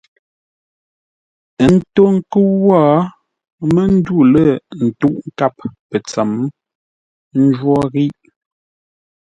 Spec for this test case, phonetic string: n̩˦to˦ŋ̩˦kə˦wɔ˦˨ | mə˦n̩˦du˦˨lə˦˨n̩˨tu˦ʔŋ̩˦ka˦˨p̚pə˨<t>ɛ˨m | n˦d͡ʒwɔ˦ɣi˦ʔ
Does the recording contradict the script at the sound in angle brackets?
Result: yes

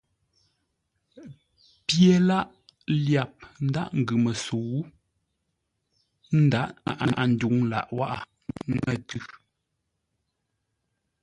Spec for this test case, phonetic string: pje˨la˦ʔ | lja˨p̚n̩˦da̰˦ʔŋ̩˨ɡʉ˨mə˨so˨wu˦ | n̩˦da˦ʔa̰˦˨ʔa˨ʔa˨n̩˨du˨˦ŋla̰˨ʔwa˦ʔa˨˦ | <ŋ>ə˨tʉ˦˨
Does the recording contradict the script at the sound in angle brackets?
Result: no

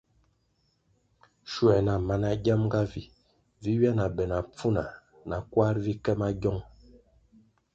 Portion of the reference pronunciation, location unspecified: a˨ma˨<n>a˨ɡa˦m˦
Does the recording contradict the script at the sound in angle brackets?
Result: no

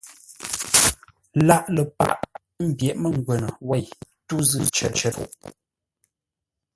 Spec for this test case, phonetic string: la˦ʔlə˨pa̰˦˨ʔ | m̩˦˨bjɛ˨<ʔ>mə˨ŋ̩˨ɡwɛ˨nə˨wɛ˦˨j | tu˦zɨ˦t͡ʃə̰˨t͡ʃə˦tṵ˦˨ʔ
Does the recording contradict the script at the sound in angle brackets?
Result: no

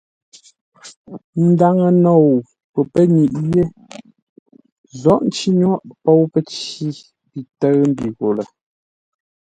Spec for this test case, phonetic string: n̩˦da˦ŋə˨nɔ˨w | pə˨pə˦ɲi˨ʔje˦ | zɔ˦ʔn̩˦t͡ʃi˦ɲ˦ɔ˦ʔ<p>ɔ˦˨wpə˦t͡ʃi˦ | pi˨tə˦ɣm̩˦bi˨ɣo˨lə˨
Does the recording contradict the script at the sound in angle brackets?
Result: no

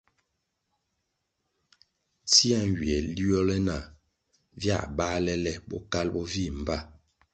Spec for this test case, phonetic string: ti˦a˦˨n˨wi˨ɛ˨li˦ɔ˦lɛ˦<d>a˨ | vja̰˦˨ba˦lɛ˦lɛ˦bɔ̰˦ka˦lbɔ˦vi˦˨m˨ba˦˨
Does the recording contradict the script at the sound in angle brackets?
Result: yes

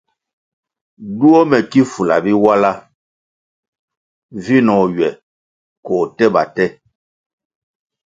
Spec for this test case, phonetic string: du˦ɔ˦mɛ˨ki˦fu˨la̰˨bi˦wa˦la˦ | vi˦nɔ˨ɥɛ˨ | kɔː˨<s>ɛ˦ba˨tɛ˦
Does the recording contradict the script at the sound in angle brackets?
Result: yes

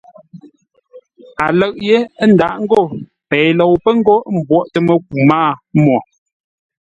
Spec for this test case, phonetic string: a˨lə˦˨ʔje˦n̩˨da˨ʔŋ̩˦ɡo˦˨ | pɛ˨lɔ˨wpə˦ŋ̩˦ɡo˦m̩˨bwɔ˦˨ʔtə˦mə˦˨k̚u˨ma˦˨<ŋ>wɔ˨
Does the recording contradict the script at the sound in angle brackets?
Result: yes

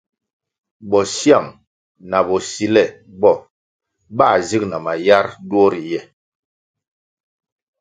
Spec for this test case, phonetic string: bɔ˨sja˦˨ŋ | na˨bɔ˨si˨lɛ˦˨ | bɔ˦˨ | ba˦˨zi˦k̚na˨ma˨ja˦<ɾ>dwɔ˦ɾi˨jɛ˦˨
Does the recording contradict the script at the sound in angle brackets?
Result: no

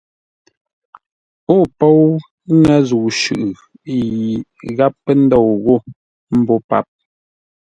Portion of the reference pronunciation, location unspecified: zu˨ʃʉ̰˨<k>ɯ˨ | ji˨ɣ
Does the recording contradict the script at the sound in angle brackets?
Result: yes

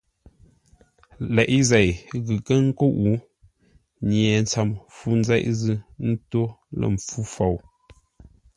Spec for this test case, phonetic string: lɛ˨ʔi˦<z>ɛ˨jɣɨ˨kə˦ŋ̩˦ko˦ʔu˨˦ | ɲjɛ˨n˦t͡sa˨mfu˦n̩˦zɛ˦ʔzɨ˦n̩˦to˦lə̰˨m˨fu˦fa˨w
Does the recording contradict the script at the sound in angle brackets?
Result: no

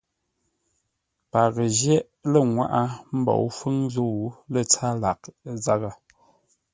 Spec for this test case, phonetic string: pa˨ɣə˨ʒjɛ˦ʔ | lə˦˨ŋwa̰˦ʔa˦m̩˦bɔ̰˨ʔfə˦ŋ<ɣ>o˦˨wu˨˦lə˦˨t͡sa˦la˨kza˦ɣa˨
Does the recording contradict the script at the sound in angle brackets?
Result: yes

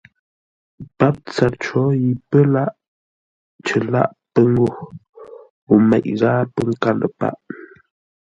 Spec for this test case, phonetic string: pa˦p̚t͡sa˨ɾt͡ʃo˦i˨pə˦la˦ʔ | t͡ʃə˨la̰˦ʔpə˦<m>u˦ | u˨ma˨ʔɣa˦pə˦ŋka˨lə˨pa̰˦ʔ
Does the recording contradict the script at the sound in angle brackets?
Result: yes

